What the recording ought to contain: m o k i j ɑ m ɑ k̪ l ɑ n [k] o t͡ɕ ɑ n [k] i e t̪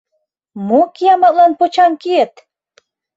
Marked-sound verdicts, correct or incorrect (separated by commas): incorrect, correct